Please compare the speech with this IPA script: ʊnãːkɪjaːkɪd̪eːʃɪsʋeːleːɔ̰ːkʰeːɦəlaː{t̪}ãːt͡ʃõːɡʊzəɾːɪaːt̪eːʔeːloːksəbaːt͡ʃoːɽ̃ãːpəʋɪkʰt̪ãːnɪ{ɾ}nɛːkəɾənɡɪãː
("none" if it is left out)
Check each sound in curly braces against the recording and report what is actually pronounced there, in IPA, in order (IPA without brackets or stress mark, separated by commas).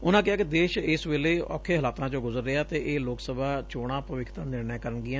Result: t̪, ɾ